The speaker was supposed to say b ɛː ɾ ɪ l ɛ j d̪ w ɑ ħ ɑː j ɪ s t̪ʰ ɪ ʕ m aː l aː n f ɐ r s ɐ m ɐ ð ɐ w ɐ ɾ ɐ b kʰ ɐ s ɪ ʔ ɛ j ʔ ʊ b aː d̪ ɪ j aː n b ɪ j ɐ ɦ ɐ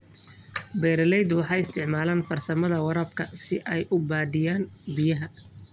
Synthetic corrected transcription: b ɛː ɾ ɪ l ɛ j d̪ w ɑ ħ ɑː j ɪ s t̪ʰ ɪ ʕ m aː l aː n f ɐ r s ɐ m ɐ ð ɐ w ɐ ɾ ɐ b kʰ ɐ s ɪ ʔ ɛ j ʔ ʊ b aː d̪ ɪ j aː n b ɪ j ɐ ɦ ɐ